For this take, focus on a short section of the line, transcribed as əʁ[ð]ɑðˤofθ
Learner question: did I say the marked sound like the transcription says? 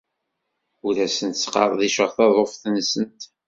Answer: no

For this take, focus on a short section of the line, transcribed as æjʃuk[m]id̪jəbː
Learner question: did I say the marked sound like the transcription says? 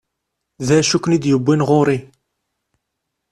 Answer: no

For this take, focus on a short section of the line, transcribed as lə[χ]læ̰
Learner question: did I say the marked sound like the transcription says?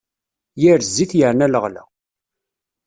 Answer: no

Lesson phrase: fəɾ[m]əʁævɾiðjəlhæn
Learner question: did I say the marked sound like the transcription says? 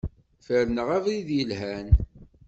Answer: no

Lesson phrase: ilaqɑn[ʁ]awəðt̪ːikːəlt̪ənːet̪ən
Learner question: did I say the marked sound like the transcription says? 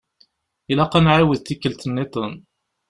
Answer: no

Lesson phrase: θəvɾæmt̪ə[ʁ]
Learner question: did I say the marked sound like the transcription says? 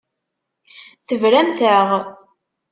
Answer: yes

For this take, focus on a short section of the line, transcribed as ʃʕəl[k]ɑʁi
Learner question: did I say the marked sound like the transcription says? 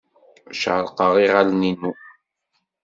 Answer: no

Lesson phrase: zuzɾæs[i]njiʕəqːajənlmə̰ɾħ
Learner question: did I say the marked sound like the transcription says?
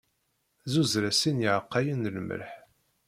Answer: yes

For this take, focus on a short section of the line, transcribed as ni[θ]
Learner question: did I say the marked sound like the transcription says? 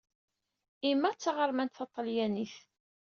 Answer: yes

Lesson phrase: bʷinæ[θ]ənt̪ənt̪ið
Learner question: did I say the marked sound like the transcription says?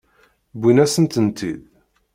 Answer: no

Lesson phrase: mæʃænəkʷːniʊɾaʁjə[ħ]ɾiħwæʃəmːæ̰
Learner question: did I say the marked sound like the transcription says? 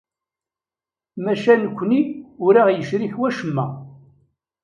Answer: no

